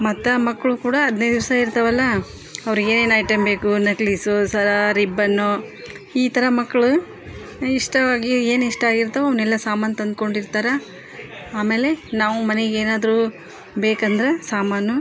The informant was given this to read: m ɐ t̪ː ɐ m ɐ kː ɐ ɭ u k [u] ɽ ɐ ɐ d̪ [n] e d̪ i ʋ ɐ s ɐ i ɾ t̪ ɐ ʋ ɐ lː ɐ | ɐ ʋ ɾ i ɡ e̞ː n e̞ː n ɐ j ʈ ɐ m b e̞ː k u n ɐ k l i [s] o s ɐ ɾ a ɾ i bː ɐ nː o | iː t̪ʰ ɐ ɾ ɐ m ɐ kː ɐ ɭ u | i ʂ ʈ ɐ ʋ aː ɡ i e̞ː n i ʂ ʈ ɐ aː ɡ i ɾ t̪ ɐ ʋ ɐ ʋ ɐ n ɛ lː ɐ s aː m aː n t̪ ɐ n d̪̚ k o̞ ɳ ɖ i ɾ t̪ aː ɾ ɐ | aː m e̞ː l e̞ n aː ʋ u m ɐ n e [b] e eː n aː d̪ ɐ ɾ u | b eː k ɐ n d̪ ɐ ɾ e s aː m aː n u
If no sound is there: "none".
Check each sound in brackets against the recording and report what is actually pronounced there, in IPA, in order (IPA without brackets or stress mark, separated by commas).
uː, n, s, ɡ